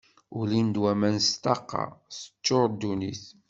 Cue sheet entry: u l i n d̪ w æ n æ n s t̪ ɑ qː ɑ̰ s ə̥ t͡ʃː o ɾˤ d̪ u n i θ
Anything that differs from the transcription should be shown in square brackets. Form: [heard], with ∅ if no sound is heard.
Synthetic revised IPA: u l i n d̪ w æ [m] æ n s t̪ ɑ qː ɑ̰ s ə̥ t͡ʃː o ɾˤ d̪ u n i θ